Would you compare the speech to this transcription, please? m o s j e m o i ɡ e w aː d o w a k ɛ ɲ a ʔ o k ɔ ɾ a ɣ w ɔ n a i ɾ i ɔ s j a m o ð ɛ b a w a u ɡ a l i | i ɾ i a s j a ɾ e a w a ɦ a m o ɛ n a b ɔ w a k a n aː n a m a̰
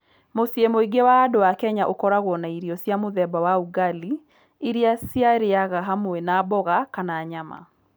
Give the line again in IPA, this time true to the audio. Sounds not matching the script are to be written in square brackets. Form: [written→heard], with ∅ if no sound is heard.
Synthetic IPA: m o s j e m o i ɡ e w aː d o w a k ɛ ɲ a ʔ o k ɔ ɾ a ɣ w ɔ n a i ɾ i ɔ s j a m o ð ɛ b a w a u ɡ a l i | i ɾ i a s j a ɾ e a [w→ɣ] a ɦ a m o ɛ n a b ɔ [w→ɣ] a k a n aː [n→ɲ] a m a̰